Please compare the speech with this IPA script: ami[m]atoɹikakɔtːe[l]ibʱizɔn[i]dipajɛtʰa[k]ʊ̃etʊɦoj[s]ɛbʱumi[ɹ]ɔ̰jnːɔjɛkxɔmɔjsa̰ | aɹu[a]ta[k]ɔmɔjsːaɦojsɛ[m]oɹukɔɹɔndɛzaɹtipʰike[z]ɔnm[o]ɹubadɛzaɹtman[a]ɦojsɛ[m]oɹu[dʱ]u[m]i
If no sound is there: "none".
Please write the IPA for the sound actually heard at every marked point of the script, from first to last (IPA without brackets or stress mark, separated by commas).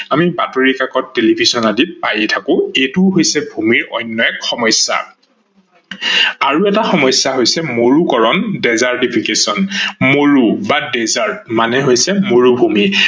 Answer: b, l, a, k, s, ɹ, ɛ, x, m, s, o, ɛ, m, bʱ, m